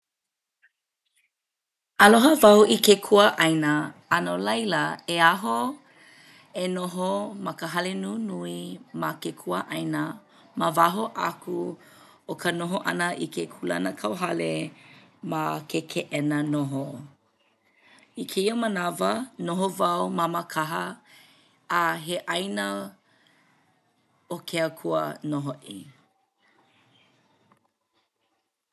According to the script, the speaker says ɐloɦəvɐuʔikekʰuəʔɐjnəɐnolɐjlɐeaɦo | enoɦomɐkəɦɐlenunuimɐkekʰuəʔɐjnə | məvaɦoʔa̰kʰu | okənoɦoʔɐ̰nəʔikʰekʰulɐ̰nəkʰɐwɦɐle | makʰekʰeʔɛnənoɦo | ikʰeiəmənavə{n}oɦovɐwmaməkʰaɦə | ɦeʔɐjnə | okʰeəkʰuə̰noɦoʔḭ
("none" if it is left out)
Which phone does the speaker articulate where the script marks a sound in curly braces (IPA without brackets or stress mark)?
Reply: n